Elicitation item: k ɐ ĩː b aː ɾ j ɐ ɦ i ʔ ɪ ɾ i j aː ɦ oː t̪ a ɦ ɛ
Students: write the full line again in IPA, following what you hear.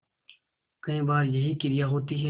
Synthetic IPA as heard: k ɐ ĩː b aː ɾ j ɐ ɦ i k ɪ ɾ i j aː ɦ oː t̪ i ɦ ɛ